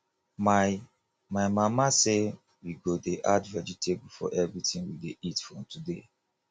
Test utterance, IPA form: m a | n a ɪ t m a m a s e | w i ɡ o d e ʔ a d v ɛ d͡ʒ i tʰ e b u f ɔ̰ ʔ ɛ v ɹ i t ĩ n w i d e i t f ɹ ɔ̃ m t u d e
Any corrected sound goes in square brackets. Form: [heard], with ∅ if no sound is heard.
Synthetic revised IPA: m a | [m] a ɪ [∅] m a m a s e | w i ɡ o d e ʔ a d v ɛ d͡ʒ i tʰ e b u f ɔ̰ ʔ ɛ v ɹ i t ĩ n w i d e i t f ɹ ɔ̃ m t u d e

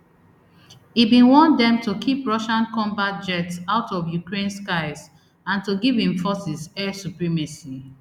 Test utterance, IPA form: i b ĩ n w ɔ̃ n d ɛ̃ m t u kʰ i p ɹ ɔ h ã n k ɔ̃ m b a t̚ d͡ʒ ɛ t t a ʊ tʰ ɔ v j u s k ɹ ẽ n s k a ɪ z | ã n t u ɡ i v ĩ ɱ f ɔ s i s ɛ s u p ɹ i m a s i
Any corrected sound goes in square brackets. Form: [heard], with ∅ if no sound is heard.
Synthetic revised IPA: i b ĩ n w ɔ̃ n d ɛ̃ m t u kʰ i p ɹ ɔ [ʃ] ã n k ɔ̃ m b a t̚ d͡ʒ ɛ t [s] a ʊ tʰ ɔ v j u [∅] k ɹ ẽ n s k a ɪ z | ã n t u ɡ i v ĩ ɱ f ɔ s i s ɛ s u p ɹ i m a s i

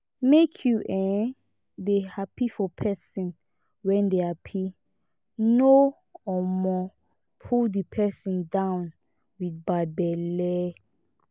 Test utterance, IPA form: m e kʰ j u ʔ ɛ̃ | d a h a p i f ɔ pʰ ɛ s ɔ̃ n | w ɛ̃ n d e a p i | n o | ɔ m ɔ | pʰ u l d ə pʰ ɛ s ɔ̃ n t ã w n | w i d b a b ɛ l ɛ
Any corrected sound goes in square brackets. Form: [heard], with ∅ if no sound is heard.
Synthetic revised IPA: m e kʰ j u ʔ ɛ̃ | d [e] h a p i f ɔ pʰ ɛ s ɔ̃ n | w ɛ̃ n d e a [pʰ] i | n o | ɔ m ɔ | pʰ u l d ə pʰ ɛ s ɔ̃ n [d] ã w n | w i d b a b ɛ l ɛ

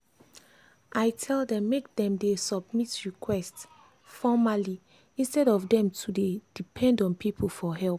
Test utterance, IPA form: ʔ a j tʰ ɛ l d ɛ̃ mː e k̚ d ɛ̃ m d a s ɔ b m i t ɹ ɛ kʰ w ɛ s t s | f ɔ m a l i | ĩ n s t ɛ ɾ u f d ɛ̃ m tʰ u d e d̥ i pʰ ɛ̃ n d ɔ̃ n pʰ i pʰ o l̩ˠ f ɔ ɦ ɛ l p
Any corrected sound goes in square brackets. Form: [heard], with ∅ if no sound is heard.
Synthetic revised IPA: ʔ a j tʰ ɛ l d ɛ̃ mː e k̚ d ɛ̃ m d [e] s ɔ b m i t ɹ [i] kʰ w ɛ s t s | f ɔ m a l i | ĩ n s t ɛ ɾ [ɔ] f d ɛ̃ m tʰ u d e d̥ i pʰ ɛ̃ n d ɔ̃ n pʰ i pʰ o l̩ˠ f ɔ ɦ ɛ l p

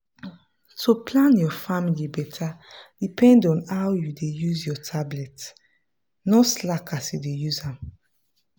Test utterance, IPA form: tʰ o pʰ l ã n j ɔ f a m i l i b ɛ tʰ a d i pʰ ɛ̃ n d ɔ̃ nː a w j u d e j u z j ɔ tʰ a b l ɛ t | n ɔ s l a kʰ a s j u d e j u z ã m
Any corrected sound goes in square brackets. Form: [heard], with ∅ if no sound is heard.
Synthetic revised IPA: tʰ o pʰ l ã n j ɔ f a m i l i b ɛ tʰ a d i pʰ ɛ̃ n d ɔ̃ [n] a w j u d e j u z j ɔ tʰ a b l ɛ t | n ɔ s l a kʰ a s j u d e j u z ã m

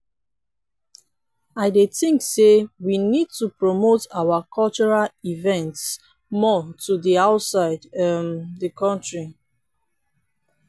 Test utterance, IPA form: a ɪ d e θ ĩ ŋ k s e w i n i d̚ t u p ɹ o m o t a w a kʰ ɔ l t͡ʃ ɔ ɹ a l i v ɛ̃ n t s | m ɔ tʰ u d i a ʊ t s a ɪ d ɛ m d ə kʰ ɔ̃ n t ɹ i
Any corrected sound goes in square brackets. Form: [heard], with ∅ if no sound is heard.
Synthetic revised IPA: a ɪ d e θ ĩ ŋ k s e w i n i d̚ t u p ɹ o m o t a w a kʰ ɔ l t͡ʃ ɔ ɹ a l i v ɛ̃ n t s | m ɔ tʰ u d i a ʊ t s a ɪ d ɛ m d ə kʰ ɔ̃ n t ɹ i

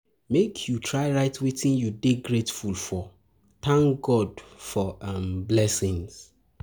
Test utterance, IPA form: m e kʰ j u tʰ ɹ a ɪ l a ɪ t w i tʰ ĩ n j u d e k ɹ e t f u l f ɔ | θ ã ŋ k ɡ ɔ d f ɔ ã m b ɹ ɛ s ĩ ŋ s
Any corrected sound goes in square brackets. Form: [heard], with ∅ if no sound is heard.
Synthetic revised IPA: m e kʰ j u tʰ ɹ a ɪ [ɹ] a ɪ t w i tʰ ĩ n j u d e [ɡ] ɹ e t f u l f ɔ | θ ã ŋ k ɡ ɔ d f ɔ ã m b [l] ɛ s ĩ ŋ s

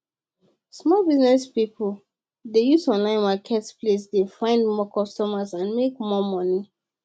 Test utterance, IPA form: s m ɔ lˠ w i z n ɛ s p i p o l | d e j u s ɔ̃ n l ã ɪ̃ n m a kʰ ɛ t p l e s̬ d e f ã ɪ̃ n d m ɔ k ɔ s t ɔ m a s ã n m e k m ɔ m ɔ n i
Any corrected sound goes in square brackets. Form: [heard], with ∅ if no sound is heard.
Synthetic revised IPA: s m ɔ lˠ [b] i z n ɛ s p i p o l | d e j u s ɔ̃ n l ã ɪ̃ n m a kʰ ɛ t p l e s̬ d e f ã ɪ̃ n d m ɔ k ɔ s t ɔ m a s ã n m e k m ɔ m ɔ n i

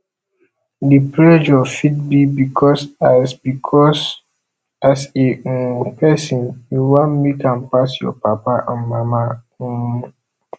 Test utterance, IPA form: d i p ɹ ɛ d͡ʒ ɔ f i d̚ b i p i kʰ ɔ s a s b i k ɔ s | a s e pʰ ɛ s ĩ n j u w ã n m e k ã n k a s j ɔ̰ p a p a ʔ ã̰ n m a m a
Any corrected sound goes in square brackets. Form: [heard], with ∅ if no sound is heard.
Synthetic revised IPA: d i p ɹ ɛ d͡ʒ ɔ f i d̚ b i [b] i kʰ ɔ s a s b i [kʰ] ɔ s | a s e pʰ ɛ s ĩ n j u w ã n m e k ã n [p] a s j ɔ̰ p a p a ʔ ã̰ n m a m a

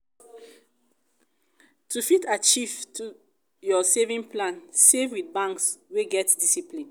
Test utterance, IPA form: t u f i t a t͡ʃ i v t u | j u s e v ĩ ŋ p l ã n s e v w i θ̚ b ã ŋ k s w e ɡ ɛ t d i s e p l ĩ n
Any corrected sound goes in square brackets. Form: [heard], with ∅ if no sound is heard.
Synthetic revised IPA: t u f i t a t͡ʃ i v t u | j [ɔ] s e v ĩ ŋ p l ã n s e v w i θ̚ b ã ŋ k s w e ɡ ɛ t d i s [i] p l ĩ n

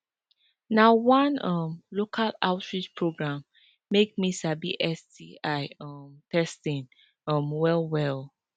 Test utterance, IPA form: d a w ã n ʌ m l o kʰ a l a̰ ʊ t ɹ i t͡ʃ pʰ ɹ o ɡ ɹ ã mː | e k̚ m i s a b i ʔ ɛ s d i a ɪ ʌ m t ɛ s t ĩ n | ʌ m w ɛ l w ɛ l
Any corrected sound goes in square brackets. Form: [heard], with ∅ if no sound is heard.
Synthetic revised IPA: [n] a w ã n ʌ m l o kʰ a l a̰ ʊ t ɹ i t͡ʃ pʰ ɹ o ɡ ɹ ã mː | e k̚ m i s a b i ʔ ɛ s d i a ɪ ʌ m t ɛ s t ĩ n | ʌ m w ɛ l w ɛ l

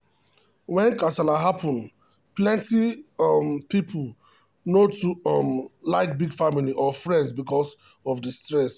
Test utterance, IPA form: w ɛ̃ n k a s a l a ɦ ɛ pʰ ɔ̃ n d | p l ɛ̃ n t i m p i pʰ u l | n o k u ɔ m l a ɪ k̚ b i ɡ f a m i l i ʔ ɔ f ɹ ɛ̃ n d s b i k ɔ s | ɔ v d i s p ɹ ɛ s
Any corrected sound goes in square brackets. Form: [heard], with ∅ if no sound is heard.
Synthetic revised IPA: w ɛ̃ n k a s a l a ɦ [a] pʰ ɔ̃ n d | p l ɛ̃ n t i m p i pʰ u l | n o [t] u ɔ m l a ɪ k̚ b i ɡ f a m i l i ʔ ɔ f ɹ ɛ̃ n d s b i k ɔ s | ɔ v d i s [t] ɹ ɛ s

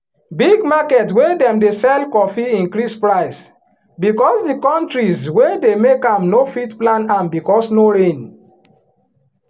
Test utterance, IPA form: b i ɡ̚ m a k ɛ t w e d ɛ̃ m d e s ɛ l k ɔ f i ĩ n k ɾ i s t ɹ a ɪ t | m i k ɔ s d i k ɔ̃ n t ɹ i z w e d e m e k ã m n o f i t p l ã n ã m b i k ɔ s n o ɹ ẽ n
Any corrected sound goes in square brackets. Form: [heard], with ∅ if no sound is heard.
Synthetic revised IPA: b i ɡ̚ m a k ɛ t w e d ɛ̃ m d e s ɛ l k ɔ f i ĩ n k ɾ i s [p] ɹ a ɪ [s] | [b] i k ɔ s d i k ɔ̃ n t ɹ i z w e d e m e k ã m n o f i t p l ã n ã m b i k ɔ s n o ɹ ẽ n

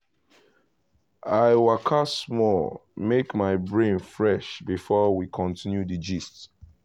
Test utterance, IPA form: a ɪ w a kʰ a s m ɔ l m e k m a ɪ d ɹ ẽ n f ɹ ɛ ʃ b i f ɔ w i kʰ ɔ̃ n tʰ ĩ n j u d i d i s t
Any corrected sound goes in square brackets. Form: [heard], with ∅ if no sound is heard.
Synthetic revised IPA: a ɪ w a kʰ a s m ɔ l m e k m a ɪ [b] ɹ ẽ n f ɹ ɛ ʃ b i f ɔ w i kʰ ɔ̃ n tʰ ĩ n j u d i [d͡ʒ] i s t

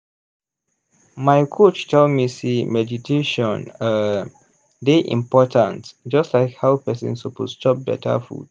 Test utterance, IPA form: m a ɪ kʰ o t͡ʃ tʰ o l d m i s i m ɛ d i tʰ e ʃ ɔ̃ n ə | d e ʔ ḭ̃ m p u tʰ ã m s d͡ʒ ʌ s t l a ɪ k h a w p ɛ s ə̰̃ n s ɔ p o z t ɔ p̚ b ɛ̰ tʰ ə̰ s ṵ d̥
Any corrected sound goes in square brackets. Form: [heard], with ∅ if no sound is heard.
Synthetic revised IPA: m a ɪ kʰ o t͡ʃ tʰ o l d m i s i m ɛ d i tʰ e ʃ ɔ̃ n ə | d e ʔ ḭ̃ m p [ɔ] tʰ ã [n] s d͡ʒ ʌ s t l a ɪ k h a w p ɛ s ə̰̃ n s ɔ p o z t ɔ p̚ b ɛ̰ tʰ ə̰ [f] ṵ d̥

